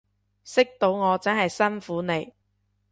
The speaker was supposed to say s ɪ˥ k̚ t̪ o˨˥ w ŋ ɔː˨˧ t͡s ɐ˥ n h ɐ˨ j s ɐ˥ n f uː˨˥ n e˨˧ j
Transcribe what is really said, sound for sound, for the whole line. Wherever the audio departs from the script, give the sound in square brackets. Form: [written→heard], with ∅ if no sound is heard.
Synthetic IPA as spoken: s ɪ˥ k̚ t̪ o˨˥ w ŋ ɔː˨˧ t͡s ɐ˥ n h ɐ˨ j s ɐ˥ n f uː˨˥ n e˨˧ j